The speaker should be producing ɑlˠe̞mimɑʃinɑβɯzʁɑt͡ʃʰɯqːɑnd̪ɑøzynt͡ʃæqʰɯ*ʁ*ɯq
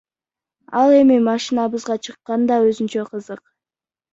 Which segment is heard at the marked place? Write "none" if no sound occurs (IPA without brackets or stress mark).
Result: z